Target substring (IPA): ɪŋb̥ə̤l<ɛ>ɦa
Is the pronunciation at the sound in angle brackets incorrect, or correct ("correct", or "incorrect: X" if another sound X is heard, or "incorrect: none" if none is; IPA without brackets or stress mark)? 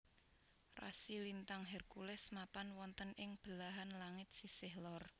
incorrect: a